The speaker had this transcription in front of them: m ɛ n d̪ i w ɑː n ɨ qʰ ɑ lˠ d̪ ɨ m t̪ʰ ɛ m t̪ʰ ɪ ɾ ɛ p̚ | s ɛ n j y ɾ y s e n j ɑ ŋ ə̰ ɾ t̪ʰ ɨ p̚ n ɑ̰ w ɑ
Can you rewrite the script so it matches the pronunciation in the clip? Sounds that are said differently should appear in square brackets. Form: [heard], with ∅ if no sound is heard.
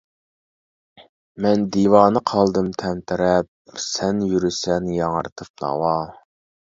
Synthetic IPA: m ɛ n d̪ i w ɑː n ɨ qʰ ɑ lˠ d̪ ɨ m t̪ʰ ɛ m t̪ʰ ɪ ɾ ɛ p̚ | s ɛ n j y ɾ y s [ɛ] n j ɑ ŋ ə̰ ɾ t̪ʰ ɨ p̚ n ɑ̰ w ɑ